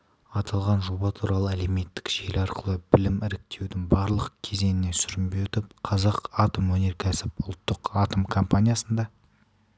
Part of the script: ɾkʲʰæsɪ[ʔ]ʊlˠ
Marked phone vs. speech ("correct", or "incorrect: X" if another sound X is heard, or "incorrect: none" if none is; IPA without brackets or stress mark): incorrect: p